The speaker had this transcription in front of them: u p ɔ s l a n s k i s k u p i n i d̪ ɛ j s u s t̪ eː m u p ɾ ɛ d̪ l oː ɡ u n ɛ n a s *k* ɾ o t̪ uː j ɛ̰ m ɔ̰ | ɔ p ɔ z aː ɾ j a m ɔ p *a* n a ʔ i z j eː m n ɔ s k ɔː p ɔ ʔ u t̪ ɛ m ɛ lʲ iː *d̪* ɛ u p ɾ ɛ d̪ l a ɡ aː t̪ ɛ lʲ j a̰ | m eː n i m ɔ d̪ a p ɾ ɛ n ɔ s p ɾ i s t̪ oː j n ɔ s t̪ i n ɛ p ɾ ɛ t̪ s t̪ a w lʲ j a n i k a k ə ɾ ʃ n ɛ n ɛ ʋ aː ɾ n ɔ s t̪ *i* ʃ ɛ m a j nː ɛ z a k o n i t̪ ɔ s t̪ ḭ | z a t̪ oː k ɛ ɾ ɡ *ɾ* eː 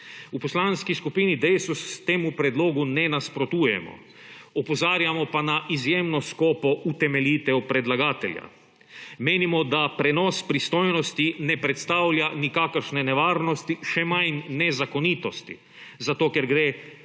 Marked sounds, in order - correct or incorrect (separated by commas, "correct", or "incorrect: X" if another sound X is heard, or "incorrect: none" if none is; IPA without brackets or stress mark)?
incorrect: p, correct, incorrect: t̪, correct, correct